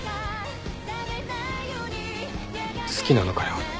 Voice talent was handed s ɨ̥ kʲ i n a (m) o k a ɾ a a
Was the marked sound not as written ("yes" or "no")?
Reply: yes